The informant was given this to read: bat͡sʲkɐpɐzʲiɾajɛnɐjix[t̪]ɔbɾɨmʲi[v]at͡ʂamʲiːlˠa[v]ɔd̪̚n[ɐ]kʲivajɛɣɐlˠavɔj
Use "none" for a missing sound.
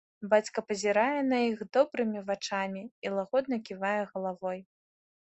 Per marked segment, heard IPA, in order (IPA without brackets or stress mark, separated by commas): d̪, v, ɣ, ɐ